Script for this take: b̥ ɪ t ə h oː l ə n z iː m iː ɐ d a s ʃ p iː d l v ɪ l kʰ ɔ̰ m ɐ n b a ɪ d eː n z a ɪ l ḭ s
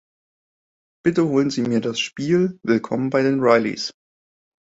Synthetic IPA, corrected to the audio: b̥ ɪ t ə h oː l ə n z iː m iː ɐ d a s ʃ p iː l v ɪ l kʰ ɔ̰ m ə n b a ɪ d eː n ʁ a ɪ l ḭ s